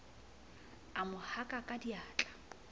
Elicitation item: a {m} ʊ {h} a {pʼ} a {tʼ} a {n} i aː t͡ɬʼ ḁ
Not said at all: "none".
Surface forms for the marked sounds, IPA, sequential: m, h, kʼ, kʼ, d

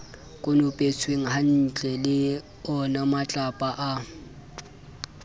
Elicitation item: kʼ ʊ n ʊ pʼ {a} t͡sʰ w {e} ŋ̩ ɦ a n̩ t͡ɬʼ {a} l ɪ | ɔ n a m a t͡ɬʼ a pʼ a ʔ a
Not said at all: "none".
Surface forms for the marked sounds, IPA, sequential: e, e, ɛ

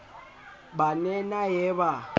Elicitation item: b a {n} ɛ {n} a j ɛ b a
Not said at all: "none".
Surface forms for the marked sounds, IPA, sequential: n, n

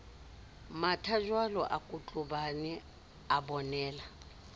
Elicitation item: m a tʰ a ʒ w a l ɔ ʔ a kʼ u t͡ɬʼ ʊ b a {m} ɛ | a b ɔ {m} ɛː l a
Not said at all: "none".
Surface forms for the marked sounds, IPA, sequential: n, n

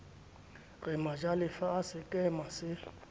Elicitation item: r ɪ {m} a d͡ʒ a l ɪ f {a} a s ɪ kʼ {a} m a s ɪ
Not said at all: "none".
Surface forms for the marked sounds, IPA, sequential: m, a, ɛ

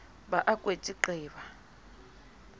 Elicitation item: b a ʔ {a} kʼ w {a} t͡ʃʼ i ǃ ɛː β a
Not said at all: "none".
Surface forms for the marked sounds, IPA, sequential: a, e

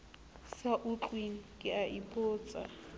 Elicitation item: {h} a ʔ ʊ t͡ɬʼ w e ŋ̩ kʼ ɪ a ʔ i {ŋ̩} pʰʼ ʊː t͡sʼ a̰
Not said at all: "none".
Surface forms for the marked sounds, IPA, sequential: s, none

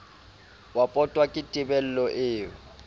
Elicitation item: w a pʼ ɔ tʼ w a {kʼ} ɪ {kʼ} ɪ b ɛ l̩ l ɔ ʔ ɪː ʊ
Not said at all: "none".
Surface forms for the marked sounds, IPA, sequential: kʼ, tʼ

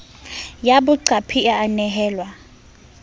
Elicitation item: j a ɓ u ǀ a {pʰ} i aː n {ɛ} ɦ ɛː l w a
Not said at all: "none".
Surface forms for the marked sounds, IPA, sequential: pʰ, ɛ

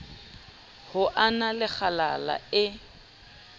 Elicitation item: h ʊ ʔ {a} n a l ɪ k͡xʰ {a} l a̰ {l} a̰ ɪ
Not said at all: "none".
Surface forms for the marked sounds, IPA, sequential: a, a, l

